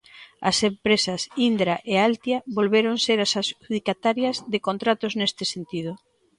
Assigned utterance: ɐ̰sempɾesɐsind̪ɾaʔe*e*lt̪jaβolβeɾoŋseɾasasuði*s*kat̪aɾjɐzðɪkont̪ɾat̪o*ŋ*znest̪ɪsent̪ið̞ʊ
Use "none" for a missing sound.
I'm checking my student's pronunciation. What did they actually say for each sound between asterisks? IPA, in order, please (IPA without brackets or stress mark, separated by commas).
a, none, none